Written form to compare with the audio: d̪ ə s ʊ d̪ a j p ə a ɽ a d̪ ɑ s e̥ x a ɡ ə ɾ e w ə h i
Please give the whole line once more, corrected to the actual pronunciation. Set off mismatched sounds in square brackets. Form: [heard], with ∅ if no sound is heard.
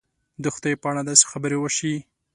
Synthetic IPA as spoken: d̪ ə [x] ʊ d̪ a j p ə a ɽ a d̪ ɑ s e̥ x a [b] ə ɾ e w ə [ʃ] i